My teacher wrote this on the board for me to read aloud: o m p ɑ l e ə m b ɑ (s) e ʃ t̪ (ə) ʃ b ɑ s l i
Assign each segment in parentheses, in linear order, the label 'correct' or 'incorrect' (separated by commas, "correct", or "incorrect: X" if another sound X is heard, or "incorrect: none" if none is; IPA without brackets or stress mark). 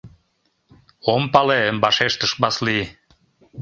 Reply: incorrect: ʃ, correct